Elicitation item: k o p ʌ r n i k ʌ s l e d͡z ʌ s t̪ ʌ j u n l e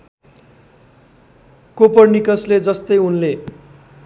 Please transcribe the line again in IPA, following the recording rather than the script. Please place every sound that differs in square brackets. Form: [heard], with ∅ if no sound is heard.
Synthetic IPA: k o p ʌ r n i k ʌ s l e d͡z ʌ s t̪ ʌ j u n l e